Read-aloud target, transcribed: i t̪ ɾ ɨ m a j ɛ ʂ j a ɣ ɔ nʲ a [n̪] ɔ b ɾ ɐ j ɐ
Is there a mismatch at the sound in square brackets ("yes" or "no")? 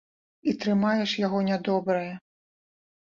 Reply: yes